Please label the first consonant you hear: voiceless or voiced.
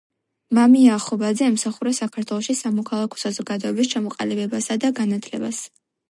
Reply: voiced